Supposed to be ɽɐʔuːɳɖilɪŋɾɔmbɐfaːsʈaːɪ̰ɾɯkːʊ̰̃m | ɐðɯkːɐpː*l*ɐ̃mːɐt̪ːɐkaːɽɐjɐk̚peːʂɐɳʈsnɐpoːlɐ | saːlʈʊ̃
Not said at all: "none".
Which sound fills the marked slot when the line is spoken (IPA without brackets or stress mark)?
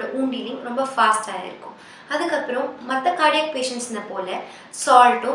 ɾ